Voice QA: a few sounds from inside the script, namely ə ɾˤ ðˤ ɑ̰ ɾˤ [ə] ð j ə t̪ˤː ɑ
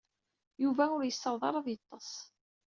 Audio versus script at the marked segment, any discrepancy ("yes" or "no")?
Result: yes